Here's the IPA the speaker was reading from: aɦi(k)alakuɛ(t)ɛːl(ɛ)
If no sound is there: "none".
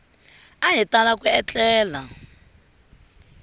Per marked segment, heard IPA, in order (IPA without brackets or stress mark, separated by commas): t, t͡ɬ, a